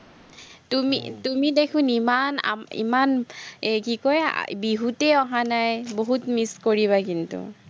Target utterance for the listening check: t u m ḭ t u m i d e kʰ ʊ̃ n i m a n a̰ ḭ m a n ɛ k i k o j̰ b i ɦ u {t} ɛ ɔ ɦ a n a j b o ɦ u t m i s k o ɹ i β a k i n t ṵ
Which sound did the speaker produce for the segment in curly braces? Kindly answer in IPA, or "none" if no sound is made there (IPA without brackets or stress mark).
t